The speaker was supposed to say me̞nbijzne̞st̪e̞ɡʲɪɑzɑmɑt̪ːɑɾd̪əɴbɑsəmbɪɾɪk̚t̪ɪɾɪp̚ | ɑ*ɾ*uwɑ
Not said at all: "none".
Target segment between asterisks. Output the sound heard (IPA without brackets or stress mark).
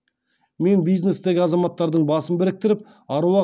ɾ